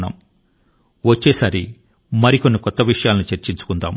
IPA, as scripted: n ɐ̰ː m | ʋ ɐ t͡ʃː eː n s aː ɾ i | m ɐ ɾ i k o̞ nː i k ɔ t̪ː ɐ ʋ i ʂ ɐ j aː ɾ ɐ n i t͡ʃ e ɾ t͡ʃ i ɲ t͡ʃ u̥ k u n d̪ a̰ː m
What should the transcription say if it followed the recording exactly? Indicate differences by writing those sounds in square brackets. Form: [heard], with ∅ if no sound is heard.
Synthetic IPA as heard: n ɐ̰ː m | ʋ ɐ t͡ʃː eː [∅] s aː ɾ i | m ɐ ɾ i k o̞ nː i k ɔ t̪ː ɐ ʋ i ʂ ɐ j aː [l] ɐ n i t͡ʃ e ɾ t͡ʃ i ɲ t͡ʃ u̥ k u n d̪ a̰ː m